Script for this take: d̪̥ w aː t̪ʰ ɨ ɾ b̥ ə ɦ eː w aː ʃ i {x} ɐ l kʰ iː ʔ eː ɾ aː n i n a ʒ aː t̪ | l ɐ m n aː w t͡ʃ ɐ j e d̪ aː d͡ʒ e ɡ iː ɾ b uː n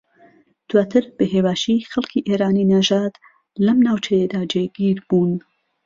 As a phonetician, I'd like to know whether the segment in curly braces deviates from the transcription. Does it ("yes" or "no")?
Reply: no